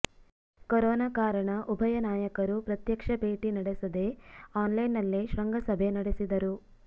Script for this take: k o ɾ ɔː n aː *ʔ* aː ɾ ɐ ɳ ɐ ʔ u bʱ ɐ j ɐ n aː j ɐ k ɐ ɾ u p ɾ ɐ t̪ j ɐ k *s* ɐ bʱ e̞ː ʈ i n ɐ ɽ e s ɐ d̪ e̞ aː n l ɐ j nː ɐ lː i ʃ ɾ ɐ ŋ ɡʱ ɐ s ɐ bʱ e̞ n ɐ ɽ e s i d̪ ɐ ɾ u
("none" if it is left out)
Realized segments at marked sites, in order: k, ʂ

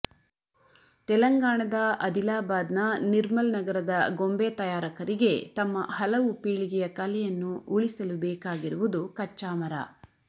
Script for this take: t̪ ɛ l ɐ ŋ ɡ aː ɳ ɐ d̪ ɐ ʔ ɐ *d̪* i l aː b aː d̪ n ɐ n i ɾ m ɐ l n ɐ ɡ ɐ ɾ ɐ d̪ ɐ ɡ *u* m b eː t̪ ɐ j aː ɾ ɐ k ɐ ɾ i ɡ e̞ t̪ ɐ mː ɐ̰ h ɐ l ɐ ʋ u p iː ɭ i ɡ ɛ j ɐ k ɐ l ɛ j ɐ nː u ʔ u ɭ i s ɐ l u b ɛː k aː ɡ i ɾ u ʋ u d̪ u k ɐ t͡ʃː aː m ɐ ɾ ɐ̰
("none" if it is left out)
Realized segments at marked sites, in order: d̪, o

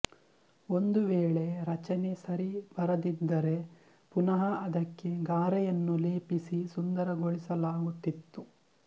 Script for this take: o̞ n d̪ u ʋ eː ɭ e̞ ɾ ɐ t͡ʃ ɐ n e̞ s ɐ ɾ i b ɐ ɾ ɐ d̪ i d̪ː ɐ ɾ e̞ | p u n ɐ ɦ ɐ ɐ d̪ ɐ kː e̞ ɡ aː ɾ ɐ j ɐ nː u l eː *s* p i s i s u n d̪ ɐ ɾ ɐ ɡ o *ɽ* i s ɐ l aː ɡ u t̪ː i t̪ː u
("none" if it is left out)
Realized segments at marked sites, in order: none, ɭ

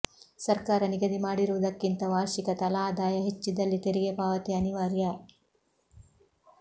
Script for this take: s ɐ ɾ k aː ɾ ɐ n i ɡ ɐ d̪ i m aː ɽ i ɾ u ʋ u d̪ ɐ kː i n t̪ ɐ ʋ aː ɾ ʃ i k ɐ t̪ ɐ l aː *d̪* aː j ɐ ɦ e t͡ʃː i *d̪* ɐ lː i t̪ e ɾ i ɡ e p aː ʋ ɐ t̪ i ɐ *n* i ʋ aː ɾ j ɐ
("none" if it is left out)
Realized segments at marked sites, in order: d̪, d̪, n

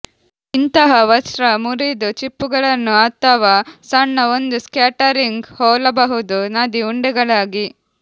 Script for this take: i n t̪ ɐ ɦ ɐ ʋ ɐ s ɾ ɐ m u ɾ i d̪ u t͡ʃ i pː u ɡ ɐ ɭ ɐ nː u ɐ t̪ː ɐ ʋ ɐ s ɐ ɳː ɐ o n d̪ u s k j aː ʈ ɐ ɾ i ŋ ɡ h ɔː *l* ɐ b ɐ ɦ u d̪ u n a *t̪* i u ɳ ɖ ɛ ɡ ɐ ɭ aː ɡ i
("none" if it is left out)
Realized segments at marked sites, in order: l, d̪

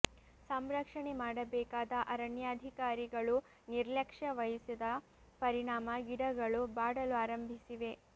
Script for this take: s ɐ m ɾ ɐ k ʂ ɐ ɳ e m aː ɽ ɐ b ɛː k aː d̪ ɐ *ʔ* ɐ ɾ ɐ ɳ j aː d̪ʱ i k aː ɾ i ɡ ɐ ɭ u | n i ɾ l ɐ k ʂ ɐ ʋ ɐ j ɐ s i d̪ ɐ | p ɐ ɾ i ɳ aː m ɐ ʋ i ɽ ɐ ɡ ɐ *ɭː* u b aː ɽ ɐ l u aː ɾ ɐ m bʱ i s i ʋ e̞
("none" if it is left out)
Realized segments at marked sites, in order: ʔ, ɭ

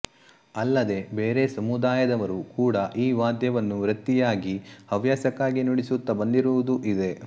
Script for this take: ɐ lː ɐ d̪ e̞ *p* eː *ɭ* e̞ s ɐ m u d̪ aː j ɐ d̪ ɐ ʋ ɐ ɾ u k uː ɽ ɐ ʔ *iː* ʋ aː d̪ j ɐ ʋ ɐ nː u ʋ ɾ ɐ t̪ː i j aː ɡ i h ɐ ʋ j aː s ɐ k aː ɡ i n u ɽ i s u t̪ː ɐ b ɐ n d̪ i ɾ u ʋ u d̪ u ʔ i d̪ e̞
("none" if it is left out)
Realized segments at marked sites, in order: b, ɾ, iː

